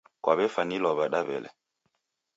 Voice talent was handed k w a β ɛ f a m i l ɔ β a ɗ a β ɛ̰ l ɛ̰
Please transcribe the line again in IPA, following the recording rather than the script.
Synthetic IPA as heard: k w a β ɛ f a n i l ɔ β a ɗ a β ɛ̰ l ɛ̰